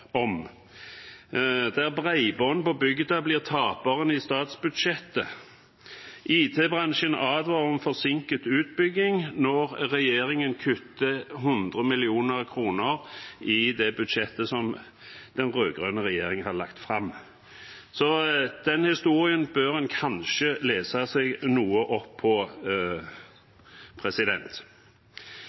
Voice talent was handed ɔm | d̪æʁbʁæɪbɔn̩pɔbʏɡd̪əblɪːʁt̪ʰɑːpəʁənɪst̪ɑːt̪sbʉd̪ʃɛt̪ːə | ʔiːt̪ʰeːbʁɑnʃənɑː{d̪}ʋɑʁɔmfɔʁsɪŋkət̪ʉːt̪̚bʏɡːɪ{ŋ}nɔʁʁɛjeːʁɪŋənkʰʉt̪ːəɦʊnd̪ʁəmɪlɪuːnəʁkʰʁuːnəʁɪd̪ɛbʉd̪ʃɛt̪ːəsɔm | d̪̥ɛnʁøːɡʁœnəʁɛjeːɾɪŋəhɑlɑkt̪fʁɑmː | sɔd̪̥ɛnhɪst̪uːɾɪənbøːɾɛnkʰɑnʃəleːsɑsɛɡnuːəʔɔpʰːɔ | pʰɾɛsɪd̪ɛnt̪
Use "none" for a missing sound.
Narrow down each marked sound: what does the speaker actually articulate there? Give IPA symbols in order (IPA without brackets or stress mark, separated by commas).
d̪, ŋ